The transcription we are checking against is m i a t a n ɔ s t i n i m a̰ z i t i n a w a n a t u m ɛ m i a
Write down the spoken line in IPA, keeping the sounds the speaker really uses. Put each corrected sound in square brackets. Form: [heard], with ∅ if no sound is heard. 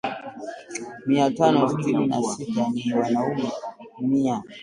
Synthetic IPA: m i a t a n ɔ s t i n i [n] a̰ [s] i t [a] n [i] w a n a [∅] u m ɛ m i a